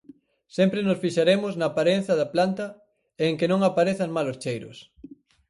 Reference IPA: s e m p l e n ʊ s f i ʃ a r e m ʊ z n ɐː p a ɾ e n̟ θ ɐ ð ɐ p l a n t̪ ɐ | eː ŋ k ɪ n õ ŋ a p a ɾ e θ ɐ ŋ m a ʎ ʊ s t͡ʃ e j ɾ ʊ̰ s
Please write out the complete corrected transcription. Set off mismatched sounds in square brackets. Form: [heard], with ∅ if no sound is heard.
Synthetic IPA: s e m p [ɾ] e n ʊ s f i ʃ a [ɾ] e m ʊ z n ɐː p a ɾ e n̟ θ ɐ ð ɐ p l a n t̪ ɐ | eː ŋ k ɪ n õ ŋ a p a ɾ e θ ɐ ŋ m a [l] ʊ s t͡ʃ e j ɾ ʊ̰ s